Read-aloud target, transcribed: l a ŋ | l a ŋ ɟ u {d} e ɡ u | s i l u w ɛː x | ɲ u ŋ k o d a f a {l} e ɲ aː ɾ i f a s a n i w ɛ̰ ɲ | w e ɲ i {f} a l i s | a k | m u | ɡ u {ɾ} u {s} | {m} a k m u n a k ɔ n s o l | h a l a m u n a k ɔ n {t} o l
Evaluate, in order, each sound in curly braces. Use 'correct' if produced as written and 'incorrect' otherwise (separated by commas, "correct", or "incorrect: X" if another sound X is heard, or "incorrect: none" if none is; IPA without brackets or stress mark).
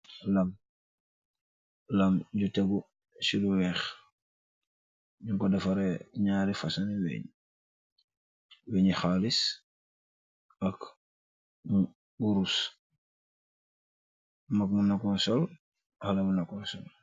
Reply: incorrect: t, incorrect: ɾ, incorrect: x, correct, correct, correct, incorrect: s